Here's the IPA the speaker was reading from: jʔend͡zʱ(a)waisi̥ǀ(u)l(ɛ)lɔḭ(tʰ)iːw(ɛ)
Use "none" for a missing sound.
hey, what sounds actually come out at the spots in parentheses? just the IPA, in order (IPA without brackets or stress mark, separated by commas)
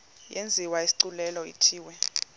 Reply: i, u, ɛ, tʰ, ɛ